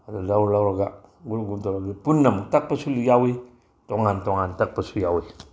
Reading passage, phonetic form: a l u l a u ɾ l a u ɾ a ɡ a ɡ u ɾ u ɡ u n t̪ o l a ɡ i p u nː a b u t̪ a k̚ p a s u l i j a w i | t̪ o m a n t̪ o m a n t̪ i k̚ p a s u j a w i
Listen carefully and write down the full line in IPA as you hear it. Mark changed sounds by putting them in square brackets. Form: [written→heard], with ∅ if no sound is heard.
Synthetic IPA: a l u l a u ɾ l a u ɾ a ɡ a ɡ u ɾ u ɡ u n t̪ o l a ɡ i p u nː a [b→m] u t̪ a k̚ p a s u l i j a w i | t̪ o [m→ŋ] a n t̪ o [m→ŋ] a n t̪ [i→a] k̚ p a s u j a w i